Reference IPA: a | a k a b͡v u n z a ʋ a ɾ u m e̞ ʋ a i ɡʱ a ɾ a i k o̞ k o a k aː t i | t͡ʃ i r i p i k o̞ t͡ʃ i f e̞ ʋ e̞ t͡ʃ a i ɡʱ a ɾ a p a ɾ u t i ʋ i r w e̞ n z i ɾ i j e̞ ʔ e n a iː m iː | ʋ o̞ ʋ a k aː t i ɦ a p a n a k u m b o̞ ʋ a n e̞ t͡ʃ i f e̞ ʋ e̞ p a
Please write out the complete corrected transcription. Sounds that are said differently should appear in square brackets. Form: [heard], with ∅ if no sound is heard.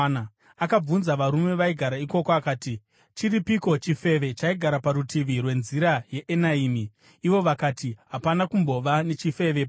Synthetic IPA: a | a k a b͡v u n z a ʋ a ɾ u m e̞ ʋ a i ɡʱ a ɾ a i k o̞ k o a k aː t i | t͡ʃ i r i p i k o̞ t͡ʃ i f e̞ ʋ e̞ t͡ʃ a i ɡʱ a ɾ a p a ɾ u t i ʋ i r w e̞ n z i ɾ [a] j e̞ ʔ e n a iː m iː | ʋ o̞ ʋ a k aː t i ɦ a p a n a k u m b o̞ ʋ a n e̞ t͡ʃ i f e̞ ʋ e̞ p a